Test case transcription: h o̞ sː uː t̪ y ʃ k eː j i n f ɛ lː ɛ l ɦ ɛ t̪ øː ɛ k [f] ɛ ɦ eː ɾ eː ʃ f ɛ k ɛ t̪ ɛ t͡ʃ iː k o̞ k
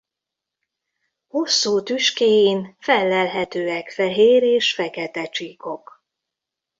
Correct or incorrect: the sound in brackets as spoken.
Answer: correct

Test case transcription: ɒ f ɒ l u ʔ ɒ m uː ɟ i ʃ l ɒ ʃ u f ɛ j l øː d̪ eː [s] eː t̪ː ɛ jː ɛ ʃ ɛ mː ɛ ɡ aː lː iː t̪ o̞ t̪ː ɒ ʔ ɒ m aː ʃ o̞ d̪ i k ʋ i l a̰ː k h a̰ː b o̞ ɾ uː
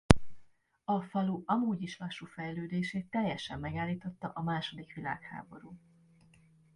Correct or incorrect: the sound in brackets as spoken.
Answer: incorrect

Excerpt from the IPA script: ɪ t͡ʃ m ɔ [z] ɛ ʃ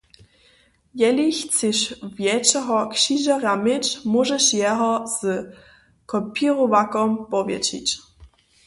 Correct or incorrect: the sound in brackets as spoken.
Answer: incorrect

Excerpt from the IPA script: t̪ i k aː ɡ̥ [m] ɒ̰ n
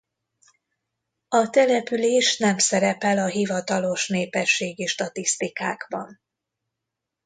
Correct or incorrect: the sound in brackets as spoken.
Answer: incorrect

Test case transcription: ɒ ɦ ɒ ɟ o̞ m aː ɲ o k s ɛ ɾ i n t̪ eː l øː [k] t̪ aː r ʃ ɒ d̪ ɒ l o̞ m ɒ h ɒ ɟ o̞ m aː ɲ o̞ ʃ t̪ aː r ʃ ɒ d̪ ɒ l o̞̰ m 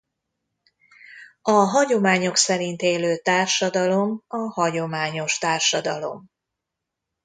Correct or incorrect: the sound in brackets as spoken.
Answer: incorrect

